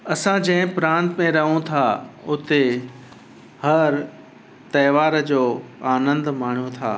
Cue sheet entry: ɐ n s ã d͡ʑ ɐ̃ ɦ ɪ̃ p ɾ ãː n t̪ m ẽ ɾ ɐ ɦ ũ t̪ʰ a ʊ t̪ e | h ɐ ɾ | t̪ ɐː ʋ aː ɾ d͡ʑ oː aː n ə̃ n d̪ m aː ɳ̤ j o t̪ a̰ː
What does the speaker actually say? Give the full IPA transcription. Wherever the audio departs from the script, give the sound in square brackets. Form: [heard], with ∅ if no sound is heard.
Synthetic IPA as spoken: ɐ [∅] s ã d͡ʑ ɐ̃ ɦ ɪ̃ p ɾ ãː n t̪ m ẽ ɾ ɐ ɦ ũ t̪ʰ a ʊ t̪ e | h ɐ ɾ | t̪ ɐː ʋ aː ɾ d͡ʑ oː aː n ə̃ n d̪ m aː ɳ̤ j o [t̪ʰ] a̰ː